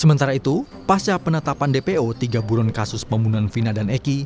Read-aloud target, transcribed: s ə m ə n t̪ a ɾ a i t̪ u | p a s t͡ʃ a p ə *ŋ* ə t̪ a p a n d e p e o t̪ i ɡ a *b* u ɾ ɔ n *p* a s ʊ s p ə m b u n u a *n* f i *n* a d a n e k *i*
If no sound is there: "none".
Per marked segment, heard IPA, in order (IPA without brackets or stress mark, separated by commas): n, b, k, n, n, i